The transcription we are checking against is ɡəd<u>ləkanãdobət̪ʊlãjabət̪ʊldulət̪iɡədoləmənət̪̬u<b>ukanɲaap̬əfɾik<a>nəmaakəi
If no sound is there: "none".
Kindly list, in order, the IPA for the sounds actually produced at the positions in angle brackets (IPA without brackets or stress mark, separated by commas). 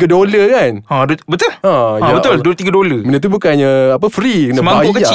o, b, ə